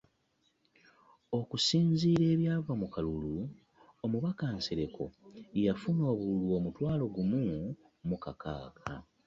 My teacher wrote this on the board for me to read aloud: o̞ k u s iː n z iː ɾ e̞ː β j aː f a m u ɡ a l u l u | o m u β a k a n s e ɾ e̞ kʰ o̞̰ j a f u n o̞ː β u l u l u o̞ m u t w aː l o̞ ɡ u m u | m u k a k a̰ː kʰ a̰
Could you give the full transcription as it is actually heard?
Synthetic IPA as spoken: o̞ k u s iː n z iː ɾ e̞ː β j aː v a m u k a l u l u | o m u β a k a n s e ɾ e̞ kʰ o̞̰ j a f u n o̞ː β u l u l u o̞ m u t w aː l o̞ ɡ u m u | m u k a k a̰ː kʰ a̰